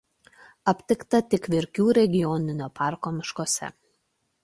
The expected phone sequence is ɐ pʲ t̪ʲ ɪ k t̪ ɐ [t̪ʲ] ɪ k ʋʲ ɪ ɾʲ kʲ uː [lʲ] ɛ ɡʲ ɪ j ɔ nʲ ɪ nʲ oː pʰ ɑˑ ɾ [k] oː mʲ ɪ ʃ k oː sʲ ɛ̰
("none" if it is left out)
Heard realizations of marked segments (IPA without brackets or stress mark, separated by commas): t̪ʲ, ɾʲ, k